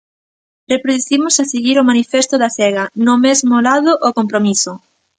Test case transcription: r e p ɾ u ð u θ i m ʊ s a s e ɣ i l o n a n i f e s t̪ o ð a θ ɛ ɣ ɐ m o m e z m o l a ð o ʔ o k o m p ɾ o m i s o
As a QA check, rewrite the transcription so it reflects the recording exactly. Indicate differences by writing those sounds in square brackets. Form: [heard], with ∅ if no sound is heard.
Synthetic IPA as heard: r e p ɾ [o] ð u θ i m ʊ s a s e ɣ i [ɾ] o [m] a n i f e s t̪ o ð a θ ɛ ɣ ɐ [n] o m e z m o l a ð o ʔ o k o m p ɾ o m i s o